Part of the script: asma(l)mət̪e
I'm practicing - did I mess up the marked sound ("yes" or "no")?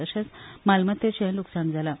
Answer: no